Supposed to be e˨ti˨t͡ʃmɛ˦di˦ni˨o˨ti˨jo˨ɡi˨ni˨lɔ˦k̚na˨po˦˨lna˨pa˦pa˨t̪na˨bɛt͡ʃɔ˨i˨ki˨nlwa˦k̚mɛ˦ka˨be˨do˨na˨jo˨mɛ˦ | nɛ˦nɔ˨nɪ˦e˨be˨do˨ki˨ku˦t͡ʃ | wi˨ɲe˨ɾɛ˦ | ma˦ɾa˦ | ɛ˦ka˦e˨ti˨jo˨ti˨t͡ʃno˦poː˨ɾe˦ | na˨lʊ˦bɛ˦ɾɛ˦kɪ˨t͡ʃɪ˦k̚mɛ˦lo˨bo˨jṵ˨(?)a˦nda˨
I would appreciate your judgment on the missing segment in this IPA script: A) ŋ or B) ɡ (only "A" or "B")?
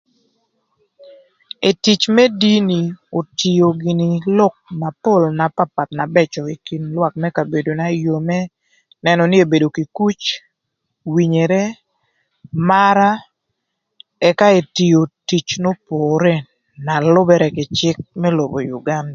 B